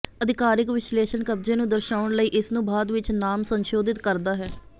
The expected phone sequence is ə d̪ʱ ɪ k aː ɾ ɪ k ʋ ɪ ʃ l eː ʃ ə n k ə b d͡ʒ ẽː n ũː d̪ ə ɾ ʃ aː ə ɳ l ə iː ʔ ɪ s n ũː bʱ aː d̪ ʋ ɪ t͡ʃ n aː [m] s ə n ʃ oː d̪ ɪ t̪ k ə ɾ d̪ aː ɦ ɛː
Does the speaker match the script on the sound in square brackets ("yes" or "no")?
yes